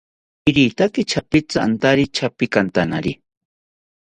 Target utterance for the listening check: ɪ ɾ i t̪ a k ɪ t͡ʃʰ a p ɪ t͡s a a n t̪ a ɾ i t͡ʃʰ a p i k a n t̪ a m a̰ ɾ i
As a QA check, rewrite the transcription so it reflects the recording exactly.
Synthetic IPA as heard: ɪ ɾ i t̪ a k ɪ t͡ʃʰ a p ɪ t͡s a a n t̪ a ɾ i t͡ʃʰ a p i k a n t̪ a n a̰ ɾ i

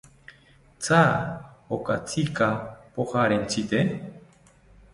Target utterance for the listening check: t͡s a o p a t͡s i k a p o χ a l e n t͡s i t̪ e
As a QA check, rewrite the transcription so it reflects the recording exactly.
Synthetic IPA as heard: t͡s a o k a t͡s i k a p o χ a ɾ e n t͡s i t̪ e

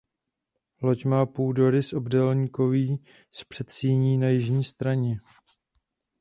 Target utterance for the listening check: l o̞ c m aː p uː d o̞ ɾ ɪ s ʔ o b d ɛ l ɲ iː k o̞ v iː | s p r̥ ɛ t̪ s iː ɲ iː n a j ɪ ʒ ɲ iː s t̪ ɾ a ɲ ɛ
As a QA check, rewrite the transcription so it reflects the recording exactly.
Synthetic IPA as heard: l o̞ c m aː p uː d o̞ ɾ ɪ s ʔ o b d ɛ l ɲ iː k o̞ v iː | s p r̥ ɛ t̪ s iː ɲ iː n a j ɪ ʒ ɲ iː s t̪ ɾ a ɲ ɛ

